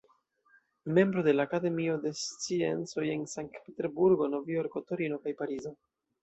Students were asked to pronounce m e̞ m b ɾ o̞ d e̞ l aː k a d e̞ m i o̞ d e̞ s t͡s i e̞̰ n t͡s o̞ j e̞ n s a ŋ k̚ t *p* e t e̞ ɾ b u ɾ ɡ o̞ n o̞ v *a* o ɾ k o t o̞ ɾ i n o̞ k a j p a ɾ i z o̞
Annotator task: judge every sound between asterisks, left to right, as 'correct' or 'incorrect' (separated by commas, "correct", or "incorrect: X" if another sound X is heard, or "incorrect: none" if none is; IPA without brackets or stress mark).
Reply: correct, incorrect: i